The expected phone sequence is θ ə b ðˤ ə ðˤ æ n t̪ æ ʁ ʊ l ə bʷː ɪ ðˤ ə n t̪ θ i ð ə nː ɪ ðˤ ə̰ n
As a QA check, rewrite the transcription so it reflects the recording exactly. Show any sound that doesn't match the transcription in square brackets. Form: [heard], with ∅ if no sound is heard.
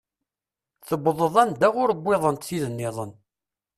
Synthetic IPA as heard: θ ə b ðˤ ə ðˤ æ n [d̪] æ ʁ ʊ [ɾ] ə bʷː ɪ ðˤ ə n t̪ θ i ð ə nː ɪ ðˤ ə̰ n